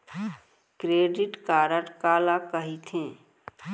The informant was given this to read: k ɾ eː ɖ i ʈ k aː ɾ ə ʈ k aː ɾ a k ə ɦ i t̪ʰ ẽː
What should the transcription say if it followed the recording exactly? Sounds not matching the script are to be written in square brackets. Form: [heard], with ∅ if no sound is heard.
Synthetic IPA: k ɾ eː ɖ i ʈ k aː ɾ ə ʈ k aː [l] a k ə ɦ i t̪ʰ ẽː